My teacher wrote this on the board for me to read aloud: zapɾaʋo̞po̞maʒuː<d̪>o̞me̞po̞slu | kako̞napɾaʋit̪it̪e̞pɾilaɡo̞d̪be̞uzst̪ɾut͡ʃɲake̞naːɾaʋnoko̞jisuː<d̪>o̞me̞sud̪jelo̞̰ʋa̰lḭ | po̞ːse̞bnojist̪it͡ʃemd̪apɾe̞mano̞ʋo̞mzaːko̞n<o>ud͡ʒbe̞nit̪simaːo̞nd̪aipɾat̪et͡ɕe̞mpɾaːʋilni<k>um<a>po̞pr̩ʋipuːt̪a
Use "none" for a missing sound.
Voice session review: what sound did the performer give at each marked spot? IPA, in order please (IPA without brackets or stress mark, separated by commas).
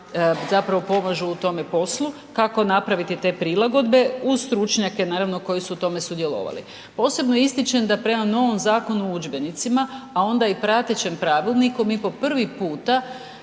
t̪, t̪, u, k, i